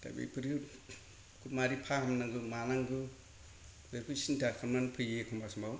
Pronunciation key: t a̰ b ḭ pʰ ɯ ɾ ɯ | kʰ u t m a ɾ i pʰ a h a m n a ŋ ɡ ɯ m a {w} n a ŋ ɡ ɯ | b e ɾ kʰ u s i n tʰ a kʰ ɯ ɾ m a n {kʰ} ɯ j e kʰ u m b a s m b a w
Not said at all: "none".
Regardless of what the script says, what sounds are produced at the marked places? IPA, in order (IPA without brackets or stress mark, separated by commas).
none, pʰ